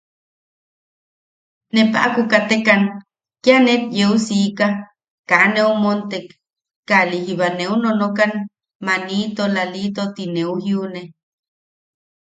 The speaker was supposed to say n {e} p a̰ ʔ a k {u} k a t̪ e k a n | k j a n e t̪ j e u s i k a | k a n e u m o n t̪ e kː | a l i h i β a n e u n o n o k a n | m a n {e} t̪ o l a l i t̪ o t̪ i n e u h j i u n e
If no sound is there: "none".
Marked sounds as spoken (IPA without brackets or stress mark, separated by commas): e, u, i